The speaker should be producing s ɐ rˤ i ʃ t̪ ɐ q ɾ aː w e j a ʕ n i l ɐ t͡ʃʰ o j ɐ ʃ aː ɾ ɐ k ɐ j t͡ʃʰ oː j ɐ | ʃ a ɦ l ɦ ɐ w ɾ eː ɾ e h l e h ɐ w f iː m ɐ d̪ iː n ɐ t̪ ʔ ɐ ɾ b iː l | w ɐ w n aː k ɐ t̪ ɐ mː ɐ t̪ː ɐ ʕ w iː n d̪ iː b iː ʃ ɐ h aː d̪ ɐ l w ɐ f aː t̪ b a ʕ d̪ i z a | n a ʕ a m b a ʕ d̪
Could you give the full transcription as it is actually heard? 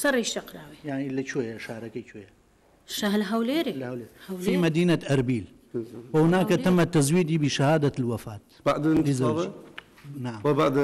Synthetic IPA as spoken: s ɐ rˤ i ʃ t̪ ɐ q ɾ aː w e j a ʕ n i l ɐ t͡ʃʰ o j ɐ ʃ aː ɾ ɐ k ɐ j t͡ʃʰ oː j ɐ | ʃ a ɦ l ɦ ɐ w l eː ɾ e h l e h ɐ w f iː m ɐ d̪ iː n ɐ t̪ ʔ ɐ ɾ b iː l | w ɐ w n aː k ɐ t̪ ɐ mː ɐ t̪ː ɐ z w iː d̪ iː b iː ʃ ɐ h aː d̪ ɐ l w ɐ f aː t̪ b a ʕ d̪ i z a | n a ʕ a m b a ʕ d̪